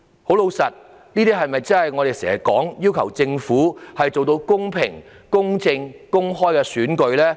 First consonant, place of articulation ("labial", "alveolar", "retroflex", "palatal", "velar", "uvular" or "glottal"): glottal